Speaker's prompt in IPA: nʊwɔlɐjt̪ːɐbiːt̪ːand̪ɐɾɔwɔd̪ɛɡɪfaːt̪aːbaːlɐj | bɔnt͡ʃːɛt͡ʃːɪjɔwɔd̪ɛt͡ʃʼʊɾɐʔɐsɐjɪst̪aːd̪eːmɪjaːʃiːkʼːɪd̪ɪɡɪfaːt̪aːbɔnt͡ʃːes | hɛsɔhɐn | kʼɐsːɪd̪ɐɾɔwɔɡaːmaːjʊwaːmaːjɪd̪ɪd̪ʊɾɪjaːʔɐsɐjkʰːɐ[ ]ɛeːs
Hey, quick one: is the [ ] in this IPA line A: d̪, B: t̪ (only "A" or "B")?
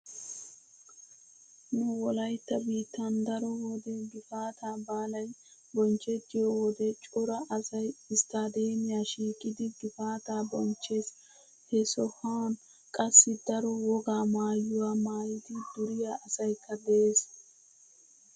A